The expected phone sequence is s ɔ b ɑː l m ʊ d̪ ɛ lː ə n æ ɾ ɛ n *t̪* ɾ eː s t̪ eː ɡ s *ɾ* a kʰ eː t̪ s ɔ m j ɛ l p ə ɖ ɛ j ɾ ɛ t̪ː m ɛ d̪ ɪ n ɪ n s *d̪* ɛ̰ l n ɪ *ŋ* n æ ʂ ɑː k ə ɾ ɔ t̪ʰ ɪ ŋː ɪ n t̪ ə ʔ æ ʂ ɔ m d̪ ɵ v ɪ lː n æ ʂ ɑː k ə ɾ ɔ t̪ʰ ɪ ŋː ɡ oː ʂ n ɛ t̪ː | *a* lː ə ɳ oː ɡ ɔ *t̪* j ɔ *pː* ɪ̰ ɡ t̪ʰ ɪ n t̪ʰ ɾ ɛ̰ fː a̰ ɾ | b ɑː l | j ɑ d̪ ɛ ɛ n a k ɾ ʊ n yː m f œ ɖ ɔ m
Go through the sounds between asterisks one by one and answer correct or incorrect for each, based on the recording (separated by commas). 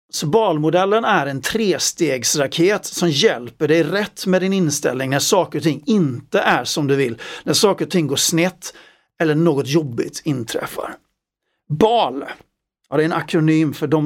incorrect, correct, incorrect, correct, incorrect, correct, incorrect